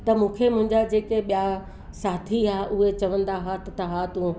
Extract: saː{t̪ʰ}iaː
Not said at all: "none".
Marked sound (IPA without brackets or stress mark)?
t̪ʰ